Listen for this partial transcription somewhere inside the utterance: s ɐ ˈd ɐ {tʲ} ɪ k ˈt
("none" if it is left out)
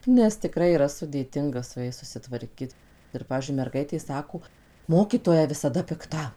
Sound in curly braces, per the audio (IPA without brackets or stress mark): pʲ